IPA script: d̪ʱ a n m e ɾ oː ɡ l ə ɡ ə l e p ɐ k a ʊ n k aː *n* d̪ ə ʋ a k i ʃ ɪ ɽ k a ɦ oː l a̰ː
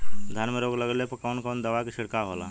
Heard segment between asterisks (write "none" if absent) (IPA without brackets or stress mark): n